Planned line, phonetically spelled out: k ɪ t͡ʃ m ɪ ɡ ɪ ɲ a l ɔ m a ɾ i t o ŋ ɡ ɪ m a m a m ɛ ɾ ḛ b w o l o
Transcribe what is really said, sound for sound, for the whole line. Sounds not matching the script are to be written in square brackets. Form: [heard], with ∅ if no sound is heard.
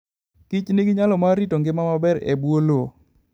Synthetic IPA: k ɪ t͡ʃ [n] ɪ ɡ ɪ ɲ a l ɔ m a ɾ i t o ŋ ɡ ɪ m a m a [b] ɛ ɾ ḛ b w o l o